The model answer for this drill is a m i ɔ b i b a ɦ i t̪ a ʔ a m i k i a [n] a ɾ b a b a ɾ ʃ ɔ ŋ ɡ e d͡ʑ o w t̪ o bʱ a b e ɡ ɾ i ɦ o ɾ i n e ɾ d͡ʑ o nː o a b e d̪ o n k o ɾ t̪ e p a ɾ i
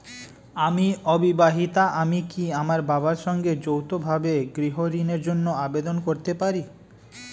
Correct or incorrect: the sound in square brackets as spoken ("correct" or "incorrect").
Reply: incorrect